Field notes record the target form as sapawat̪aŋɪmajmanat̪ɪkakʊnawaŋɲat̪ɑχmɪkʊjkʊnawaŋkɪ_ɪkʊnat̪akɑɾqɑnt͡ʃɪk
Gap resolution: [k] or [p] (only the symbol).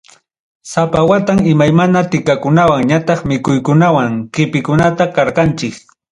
p